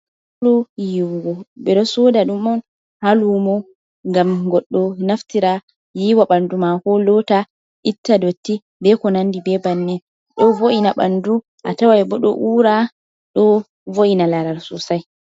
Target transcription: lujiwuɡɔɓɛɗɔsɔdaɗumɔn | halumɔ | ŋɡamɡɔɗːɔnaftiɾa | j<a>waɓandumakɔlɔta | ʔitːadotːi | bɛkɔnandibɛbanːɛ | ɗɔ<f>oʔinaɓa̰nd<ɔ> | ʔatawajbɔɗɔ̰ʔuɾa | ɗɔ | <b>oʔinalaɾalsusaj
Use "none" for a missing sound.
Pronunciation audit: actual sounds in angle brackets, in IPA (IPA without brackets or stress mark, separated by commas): i, v, u, v